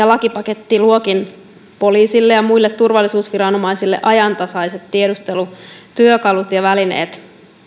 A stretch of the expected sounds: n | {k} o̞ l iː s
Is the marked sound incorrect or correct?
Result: incorrect